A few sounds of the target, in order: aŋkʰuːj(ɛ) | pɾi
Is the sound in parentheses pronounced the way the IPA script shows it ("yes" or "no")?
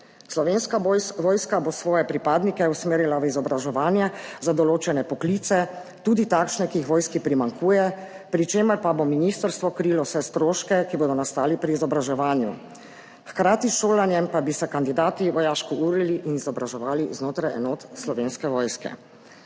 yes